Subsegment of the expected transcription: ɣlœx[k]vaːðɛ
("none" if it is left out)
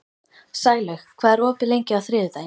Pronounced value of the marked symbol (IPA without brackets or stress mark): kʰ